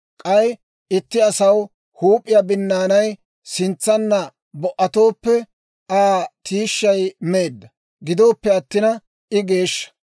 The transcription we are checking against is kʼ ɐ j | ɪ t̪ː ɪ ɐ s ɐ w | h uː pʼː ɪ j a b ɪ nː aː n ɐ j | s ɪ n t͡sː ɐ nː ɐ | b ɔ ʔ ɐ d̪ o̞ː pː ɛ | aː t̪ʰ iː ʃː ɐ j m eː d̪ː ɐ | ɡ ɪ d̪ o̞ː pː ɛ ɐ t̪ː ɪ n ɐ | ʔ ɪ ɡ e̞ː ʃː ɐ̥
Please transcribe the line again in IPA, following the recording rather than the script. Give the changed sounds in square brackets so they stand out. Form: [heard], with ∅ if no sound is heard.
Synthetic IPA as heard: kʼ ɐ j | ɪ t̪ː ɪ ɐ s ɐ w | h uː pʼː ɪ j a b ɪ nː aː n ɐ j | s ɪ n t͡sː ɐ nː ɐ | b ɔ ʔ ɐ [t̪] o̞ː pː ɛ | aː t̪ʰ iː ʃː ɐ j m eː d̪ː ɐ | ɡ ɪ d̪ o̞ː pː ɛ ɐ t̪ː ɪ n ɐ | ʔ ɪ ɡ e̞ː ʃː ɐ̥

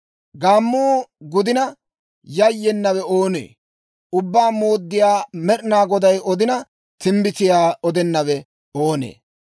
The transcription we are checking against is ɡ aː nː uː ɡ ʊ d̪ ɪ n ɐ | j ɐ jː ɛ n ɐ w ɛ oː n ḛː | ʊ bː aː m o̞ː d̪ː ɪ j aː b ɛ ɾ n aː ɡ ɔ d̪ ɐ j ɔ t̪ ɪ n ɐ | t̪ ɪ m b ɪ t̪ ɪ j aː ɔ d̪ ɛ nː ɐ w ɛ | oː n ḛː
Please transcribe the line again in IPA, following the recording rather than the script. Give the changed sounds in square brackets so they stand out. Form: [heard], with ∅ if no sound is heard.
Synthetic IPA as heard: ɡ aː [mː] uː ɡ ʊ d̪ ɪ n ɐ | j ɐ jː ɛ [nː] ɐ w ɛ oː n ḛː | ʊ bː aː m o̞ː d̪ː ɪ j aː [m] ɛ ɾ n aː ɡ ɔ d̪ ɐ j ɔ [d̪] ɪ n ɐ | t̪ ɪ m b ɪ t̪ ɪ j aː ɔ d̪ ɛ nː ɐ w ɛ | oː n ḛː

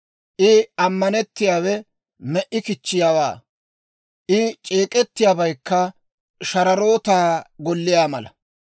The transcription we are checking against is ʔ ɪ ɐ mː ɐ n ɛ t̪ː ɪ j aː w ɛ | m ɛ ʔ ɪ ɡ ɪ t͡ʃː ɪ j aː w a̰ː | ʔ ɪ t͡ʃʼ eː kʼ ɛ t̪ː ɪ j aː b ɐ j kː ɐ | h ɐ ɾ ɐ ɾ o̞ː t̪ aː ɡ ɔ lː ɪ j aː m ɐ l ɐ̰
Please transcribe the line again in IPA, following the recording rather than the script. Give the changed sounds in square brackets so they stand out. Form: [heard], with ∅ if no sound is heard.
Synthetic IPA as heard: ʔ ɪ ɐ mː ɐ n ɛ t̪ː ɪ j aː w ɛ | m ɛ ʔ ɪ [k] ɪ t͡ʃː ɪ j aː w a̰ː | ʔ ɪ t͡ʃʼ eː kʼ ɛ t̪ː ɪ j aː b ɐ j kː ɐ | [ʃ] ɐ ɾ ɐ ɾ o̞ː t̪ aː ɡ ɔ lː ɪ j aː m ɐ l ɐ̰

